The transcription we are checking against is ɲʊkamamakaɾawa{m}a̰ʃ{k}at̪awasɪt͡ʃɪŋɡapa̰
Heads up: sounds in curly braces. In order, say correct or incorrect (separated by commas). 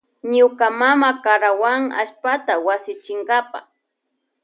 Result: incorrect, incorrect